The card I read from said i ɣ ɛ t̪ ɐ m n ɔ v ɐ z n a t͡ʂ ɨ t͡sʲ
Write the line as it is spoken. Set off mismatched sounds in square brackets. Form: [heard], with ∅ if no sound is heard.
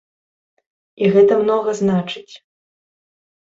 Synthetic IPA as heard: i ɣ ɛ t̪ ɐ m n ɔ [ɣ] ɐ z n a t͡ʂ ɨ t͡sʲ